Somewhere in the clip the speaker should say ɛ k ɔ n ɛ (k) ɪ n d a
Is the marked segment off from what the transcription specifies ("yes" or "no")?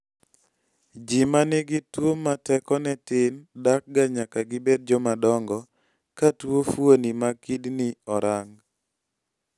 yes